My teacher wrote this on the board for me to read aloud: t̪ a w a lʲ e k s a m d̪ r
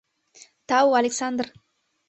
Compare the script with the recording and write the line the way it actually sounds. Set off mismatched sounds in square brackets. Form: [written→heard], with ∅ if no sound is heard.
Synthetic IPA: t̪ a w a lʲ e k s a [m→n] d̪ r